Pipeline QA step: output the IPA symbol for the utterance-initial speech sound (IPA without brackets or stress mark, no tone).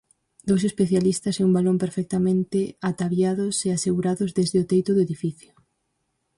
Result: d̪